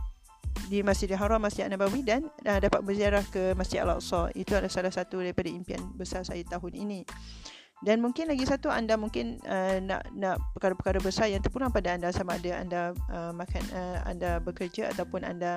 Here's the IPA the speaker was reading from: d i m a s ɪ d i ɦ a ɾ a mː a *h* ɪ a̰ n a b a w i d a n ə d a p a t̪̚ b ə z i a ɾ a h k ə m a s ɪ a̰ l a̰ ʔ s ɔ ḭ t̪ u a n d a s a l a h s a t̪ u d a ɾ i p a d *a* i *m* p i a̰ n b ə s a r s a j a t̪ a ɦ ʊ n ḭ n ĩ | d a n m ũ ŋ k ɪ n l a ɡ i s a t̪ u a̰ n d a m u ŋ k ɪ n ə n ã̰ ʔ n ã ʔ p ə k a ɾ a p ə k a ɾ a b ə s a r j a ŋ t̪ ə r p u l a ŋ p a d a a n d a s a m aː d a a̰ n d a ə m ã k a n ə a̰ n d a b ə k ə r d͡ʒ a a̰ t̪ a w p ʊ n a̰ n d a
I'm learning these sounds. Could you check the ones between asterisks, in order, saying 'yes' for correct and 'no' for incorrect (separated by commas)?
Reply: no, yes, yes